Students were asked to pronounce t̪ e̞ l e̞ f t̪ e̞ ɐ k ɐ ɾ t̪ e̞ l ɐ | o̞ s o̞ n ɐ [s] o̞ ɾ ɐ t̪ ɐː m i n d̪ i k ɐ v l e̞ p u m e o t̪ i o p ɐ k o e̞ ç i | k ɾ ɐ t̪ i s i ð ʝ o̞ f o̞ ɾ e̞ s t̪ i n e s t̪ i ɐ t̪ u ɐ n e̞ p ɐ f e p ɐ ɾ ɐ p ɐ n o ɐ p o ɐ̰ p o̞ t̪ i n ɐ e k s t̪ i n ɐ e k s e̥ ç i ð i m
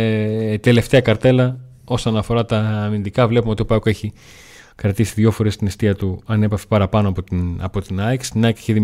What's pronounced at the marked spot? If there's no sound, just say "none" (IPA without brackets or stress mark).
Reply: f